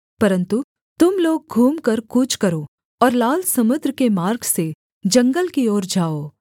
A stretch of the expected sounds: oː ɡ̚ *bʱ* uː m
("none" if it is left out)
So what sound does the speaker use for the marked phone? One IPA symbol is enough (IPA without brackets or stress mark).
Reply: ɡʱ